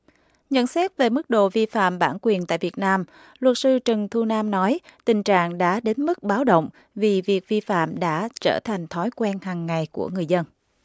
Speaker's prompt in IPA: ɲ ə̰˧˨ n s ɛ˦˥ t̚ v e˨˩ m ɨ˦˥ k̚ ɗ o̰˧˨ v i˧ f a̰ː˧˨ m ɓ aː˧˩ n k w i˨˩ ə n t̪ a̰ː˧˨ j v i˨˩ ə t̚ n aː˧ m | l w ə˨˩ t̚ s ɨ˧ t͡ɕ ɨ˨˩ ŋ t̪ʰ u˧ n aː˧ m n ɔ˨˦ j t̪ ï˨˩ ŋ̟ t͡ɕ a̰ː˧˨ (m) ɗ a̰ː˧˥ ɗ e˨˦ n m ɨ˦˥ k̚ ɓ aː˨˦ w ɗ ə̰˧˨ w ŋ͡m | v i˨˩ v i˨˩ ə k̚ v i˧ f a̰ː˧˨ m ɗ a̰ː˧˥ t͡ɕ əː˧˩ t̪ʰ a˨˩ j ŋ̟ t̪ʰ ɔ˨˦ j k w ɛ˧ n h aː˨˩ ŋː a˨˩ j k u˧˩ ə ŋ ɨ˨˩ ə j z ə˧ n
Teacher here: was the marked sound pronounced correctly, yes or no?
no